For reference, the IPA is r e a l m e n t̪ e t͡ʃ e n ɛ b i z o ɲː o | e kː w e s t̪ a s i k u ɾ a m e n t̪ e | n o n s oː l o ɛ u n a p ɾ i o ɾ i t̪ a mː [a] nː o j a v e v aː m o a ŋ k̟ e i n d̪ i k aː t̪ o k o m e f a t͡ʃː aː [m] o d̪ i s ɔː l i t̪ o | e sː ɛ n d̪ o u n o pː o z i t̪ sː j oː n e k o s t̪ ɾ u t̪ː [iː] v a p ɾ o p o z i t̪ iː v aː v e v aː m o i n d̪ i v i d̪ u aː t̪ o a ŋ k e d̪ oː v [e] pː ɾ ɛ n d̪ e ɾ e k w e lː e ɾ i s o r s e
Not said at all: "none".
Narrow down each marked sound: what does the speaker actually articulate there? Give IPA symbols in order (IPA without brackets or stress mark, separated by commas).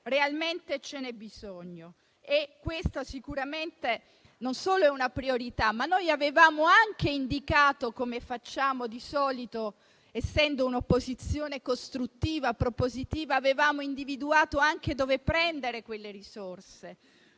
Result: a, m, iː, e